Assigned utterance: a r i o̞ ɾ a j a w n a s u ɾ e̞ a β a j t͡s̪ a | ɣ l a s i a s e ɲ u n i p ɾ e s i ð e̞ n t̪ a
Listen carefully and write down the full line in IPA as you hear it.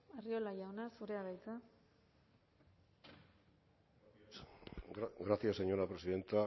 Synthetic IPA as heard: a r i o̞ l a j a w n a s u ɾ e̞ a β a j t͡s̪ a | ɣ ɾ a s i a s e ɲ o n a p ɾ e s i ð e̞ n t̪ a